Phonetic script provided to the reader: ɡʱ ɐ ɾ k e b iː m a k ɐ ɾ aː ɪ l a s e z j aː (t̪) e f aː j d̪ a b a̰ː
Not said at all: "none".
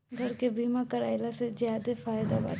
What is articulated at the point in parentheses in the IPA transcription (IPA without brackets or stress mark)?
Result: d̪